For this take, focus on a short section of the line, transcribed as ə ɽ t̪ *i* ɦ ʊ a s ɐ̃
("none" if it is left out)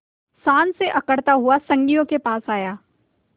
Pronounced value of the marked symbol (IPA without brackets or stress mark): a